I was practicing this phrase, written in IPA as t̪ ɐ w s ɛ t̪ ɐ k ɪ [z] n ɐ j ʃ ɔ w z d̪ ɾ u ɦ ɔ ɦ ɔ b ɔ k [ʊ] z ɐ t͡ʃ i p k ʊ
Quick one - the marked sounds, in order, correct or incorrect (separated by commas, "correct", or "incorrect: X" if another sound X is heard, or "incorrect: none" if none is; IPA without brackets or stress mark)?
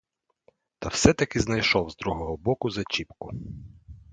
correct, correct